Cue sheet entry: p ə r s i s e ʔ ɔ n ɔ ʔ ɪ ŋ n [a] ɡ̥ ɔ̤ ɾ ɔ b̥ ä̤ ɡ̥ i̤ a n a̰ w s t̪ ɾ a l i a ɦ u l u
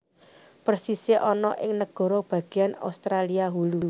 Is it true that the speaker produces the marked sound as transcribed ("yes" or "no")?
no